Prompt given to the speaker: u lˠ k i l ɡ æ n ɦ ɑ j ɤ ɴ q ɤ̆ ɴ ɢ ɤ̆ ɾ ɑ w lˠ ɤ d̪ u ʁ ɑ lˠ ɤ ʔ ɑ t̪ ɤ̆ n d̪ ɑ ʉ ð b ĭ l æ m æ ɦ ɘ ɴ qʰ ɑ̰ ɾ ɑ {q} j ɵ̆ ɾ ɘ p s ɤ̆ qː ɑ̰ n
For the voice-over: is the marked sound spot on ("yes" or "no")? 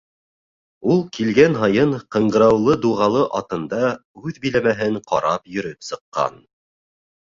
no